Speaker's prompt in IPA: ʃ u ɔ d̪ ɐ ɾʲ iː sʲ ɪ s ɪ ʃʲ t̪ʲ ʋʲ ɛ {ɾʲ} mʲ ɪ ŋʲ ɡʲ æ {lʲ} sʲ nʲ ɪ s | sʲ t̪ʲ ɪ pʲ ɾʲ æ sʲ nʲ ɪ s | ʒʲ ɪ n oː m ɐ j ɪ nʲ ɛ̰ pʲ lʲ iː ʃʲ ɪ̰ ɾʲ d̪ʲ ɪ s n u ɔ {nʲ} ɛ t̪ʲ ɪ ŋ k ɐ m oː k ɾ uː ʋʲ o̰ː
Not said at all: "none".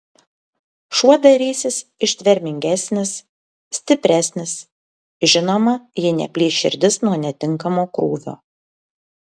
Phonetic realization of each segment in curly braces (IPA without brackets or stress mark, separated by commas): ɾʲ, none, nʲ